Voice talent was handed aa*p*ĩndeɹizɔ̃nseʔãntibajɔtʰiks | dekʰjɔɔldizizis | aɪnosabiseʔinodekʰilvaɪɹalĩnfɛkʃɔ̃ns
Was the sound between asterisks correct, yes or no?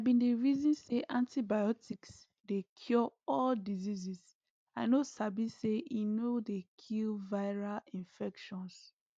no